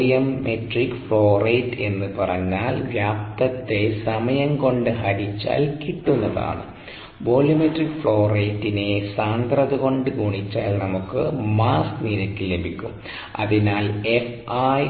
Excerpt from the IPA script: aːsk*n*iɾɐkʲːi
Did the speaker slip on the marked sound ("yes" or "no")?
no